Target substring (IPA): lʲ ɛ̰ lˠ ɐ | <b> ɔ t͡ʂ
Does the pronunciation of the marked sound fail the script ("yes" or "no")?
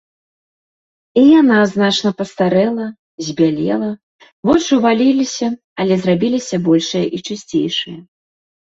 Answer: yes